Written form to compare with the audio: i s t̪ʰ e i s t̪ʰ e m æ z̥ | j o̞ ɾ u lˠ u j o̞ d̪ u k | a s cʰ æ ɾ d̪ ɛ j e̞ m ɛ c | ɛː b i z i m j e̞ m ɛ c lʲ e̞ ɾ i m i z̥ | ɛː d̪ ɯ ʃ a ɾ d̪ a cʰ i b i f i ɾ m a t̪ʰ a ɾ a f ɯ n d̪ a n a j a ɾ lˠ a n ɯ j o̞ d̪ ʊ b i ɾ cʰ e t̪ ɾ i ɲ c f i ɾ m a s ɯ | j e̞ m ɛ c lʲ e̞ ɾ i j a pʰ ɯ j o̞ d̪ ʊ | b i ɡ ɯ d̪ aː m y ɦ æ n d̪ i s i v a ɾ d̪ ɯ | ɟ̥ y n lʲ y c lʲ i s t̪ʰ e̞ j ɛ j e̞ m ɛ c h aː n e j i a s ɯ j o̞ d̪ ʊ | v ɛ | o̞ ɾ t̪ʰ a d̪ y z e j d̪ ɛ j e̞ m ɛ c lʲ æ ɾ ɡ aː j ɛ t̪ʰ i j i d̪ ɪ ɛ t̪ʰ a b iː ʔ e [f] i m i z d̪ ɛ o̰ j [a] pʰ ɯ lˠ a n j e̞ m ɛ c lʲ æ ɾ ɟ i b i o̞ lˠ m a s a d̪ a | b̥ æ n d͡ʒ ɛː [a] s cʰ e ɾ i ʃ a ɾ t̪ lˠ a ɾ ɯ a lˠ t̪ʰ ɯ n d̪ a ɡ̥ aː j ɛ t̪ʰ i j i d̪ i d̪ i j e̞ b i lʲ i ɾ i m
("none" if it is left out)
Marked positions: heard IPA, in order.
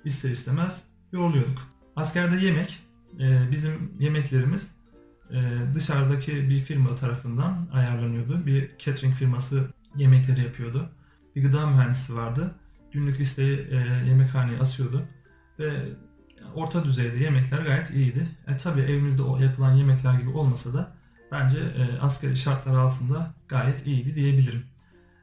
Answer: v, a, a

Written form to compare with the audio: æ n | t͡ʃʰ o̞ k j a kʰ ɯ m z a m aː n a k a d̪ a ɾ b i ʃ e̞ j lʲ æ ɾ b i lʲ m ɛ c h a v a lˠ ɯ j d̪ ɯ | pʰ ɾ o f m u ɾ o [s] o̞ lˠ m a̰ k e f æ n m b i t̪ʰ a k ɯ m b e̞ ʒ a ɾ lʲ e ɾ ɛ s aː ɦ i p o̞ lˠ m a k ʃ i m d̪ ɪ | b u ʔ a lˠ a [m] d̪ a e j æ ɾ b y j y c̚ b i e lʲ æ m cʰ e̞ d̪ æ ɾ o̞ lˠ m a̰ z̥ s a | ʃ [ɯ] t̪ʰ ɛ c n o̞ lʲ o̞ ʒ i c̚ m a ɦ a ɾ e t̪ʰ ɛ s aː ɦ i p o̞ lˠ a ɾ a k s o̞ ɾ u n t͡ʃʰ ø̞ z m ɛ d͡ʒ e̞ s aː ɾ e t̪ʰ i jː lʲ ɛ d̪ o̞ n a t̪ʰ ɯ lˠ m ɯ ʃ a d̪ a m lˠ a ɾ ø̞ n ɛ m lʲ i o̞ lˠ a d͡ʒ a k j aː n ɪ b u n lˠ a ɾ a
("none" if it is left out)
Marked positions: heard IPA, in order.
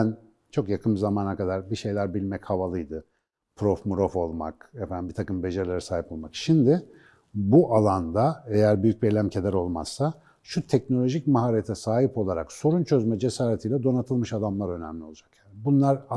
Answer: f, n, u

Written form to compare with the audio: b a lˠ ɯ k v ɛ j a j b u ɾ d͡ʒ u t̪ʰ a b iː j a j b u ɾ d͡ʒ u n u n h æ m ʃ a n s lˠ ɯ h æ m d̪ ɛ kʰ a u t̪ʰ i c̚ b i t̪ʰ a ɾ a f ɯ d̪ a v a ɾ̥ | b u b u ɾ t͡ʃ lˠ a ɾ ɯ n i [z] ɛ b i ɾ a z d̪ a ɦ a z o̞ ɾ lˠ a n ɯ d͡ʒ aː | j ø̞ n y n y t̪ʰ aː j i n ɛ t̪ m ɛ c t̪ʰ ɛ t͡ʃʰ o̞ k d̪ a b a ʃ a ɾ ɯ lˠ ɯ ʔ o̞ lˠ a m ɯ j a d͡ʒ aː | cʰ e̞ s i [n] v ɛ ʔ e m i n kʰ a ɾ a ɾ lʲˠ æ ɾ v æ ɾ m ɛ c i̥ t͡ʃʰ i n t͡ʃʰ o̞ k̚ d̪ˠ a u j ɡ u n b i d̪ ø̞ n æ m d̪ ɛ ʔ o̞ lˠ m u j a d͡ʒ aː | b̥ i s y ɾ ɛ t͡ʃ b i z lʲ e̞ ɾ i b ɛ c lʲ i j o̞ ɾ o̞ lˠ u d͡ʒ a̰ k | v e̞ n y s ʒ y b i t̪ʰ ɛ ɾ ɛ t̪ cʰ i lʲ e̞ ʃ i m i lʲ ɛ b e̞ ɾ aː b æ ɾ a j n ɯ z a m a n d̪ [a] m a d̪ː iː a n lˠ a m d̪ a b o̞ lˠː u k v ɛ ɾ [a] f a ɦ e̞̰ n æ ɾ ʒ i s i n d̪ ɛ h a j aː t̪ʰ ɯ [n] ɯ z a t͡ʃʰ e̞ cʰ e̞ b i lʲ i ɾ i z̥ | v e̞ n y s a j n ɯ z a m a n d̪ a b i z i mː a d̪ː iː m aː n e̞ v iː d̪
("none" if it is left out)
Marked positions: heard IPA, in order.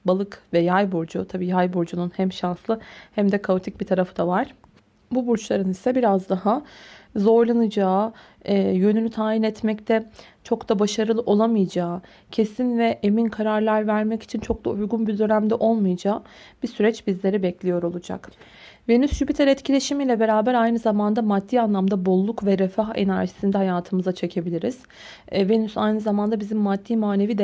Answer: s, n, a, ɛ, m

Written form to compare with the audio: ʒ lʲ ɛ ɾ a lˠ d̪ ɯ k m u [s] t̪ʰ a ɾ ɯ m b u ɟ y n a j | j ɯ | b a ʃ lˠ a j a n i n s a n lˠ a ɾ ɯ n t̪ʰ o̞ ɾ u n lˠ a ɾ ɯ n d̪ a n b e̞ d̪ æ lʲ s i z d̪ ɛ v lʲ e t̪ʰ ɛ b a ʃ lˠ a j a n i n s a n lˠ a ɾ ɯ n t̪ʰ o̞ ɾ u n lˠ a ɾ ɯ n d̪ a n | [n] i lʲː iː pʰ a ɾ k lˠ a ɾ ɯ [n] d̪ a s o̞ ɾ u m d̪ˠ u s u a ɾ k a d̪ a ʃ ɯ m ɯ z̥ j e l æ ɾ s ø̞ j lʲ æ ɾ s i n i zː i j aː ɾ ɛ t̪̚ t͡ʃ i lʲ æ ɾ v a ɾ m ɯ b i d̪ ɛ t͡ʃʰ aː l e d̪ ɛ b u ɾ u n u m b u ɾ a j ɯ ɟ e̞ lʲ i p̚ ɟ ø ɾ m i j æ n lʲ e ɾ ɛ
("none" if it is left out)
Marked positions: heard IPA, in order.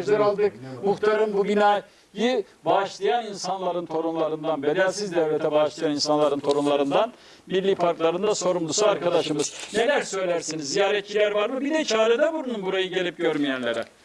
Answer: x, m, n

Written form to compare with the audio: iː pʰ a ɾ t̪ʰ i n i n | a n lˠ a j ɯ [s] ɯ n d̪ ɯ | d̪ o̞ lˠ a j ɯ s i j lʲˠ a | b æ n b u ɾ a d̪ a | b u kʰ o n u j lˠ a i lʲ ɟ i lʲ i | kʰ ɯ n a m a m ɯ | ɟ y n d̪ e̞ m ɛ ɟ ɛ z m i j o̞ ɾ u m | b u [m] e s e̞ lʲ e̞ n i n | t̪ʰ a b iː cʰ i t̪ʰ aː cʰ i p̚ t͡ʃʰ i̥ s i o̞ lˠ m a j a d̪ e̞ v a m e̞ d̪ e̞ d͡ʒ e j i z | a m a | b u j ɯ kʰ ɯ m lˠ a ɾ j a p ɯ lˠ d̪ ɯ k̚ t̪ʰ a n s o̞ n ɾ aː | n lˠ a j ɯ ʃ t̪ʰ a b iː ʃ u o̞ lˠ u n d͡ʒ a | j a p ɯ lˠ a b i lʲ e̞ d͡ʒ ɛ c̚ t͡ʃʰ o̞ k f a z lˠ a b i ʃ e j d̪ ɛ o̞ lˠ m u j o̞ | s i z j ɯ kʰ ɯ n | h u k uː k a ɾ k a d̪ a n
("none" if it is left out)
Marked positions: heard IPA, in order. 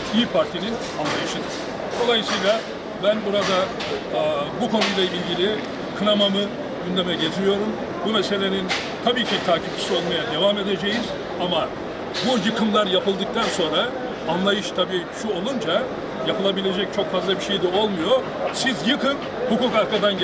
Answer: ʃ, m

